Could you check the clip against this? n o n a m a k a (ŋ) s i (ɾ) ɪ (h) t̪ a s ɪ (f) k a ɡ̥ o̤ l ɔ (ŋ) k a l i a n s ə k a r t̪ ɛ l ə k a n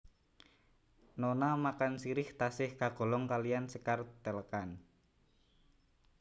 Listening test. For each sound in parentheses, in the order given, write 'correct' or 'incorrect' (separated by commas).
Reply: incorrect, correct, correct, incorrect, correct